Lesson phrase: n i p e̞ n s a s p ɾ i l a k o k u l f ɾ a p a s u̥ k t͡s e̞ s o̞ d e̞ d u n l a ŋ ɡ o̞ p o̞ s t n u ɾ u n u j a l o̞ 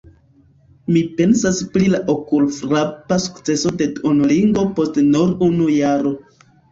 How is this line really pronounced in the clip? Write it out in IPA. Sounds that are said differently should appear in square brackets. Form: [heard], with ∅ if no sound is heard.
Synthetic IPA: [m] i p e̞ n s a s p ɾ i l a [ʔ] o k u l f ɾ a p a s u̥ k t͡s e̞ s o̞ d e̞ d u n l [i] ŋ ɡ o̞ p o̞ s t n u ɾ u n u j a [ɾ] o̞